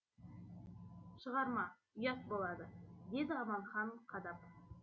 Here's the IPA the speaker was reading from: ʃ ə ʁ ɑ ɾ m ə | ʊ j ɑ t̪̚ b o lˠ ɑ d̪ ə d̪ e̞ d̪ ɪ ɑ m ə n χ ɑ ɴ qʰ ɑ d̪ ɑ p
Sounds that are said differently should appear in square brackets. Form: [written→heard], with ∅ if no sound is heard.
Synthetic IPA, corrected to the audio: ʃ ə ʁ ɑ ɾ m [ə→ɑ] | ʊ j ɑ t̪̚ b o lˠ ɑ d̪ ə d̪ e̞ d̪ ɪ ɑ m [ə→ɑ] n χ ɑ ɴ qʰ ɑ d̪ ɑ p

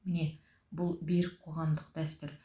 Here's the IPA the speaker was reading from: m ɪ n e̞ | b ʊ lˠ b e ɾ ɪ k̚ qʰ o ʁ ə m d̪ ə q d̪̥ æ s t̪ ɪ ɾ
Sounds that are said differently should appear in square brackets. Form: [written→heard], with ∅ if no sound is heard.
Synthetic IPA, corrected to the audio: m ɪ n e̞ | b ʊ lˠ b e ɾ ɪ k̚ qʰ o ʁ [ə→ɑ] m d̪ ə q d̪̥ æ s t̪ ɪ ɾ

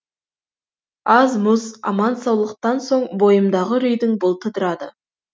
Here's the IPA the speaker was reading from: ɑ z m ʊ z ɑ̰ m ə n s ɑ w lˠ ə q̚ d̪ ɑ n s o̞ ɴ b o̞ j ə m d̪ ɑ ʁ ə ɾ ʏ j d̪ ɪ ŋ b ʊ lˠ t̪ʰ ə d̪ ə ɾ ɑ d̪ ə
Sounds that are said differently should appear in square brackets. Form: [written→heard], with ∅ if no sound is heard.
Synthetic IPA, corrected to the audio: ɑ z m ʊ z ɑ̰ m [ə→ɑ] n s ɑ w lˠ ə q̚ [d̪→t̪] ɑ n s o̞ ɴ b o̞ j ə m d̪ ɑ ʁ ə ɾ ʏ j d̪ ɪ ŋ b ʊ lˠ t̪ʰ ə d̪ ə ɾ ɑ d̪ ə

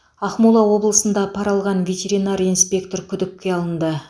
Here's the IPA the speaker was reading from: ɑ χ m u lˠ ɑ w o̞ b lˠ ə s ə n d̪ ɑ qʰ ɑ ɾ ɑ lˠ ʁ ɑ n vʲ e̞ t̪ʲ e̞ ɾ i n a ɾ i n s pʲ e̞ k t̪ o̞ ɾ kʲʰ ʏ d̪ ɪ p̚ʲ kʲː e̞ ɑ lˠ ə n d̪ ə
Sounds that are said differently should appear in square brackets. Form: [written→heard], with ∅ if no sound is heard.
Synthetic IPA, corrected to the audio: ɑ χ m u lˠ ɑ w o̞ b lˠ ə s ə n d̪ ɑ [qʰ→pʰ] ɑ ɾ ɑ lˠ ʁ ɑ n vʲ e̞ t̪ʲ e̞ ɾ i n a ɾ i n s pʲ e̞ k t̪ o̞ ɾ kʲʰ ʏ d̪ ɪ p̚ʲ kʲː e̞ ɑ lˠ ə n d̪ ə

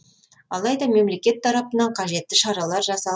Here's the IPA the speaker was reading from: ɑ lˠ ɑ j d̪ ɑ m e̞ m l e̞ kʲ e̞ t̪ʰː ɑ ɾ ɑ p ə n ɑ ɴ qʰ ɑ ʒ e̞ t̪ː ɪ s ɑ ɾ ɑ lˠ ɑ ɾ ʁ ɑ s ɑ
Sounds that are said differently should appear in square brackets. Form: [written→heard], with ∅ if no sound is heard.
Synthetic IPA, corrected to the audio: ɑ lˠ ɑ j d̪ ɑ m e̞ m l e̞ kʲ e̞ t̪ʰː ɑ ɾ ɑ p ə n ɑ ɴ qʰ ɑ ʒ e̞ t̪ː ɪ [s→ʃ] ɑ ɾ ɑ lˠ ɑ ɾ [ʁ→ʒ] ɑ s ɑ

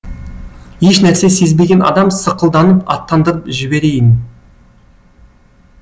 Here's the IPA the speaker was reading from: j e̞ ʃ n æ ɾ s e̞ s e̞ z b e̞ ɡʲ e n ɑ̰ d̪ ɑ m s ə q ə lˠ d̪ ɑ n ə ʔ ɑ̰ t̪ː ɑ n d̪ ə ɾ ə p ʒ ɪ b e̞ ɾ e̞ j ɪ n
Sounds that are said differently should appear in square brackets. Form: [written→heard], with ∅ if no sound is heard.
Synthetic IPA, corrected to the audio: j e̞ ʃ n æ ɾ s e̞ s e̞ z b e̞ ɡʲ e n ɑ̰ d̪ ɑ m s ə q ə lˠ d̪ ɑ n ə [ʔ→p] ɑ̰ t̪ː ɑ n d̪ ə ɾ ə p ʒ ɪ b e̞ ɾ e̞ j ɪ n

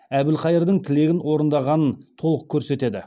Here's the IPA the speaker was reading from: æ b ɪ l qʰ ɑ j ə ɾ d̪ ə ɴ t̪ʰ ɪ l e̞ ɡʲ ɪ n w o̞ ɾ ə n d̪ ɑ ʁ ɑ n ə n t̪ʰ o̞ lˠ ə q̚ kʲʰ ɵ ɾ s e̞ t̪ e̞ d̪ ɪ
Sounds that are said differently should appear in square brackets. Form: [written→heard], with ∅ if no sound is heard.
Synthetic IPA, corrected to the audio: æ b ɪ l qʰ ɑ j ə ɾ d̪ ə ɴ t̪ʰ ɪ l e̞ ɡʲ ɪ n w o̞ ɾ ə n d̪ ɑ ʁ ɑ n ə n t̪ʰ o̞ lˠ ə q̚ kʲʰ ɵ ɾ s e̞ t̪ e̞ d̪ ɪ

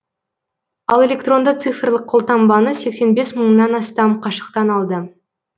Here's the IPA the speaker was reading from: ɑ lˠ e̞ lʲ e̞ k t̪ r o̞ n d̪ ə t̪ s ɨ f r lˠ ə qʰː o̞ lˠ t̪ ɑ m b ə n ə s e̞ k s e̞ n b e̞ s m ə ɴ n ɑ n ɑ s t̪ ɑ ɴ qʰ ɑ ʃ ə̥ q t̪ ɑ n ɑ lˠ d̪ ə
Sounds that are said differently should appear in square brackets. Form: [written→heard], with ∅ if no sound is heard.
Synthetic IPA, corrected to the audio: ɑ lˠ e̞ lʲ e̞ k t̪ r o̞ n d̪ ə t̪ s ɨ f r lˠ ə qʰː o̞ lˠ t̪ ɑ m b [ə→ɑ] n ə s e̞ k s e̞ n b e̞ s m ə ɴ n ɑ n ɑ s t̪ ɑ [ɴ→m] qʰ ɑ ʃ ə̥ q t̪ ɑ n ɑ lˠ d̪ ə

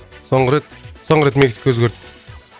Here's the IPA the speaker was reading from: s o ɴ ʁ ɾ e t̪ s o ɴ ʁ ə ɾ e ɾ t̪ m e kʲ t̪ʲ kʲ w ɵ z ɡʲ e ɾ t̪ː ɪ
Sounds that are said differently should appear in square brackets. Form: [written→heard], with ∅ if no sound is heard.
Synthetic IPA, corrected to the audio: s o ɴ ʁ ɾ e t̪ s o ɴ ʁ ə ɾ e [ɾ→∅] t̪ m e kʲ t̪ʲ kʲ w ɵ z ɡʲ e ɾ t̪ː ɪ

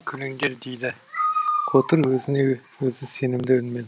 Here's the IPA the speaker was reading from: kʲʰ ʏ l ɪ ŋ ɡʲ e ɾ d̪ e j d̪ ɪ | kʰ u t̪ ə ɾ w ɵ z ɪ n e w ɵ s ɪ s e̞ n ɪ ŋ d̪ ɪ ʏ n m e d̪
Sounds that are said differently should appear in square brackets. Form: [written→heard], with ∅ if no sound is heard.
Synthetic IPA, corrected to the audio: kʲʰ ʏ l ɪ ŋ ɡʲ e ɾ d̪ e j d̪ ɪ | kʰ [u→o] t̪ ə ɾ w ɵ z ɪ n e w ɵ [s→z] ɪ s e̞ n ɪ [ŋ→m] d̪ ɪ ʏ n m e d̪

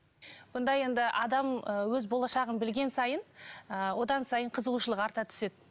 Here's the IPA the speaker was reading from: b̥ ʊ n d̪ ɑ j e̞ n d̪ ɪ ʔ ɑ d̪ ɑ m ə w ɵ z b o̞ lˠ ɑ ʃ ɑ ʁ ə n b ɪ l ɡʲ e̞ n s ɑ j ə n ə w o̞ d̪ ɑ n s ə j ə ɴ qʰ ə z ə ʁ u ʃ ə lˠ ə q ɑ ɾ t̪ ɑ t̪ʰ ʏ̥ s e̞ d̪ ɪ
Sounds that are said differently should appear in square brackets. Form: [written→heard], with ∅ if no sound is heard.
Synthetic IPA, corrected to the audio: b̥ ʊ n d̪ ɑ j e̞ n d̪ ɪ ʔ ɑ d̪ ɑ m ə w ɵ z b o̞ lˠ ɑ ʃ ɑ ʁ ə n b ɪ l ɡʲ e̞ n s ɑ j ə n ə w o̞ d̪ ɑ n s [ə→ɑ] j ə ɴ qʰ ə z ə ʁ u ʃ ə lˠ ə q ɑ ɾ t̪ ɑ t̪ʰ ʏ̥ s e̞ d̪ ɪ

